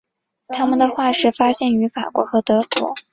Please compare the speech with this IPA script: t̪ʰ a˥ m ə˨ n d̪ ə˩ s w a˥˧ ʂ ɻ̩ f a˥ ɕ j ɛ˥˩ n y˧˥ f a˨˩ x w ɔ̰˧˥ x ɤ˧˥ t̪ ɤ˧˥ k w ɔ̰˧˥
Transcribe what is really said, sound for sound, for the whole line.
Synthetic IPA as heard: t̪ʰ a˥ m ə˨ n d̪ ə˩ x w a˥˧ ʂ ɻ̩ f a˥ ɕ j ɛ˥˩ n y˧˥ f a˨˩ k w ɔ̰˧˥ x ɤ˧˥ t̪ ɤ˧˥ k w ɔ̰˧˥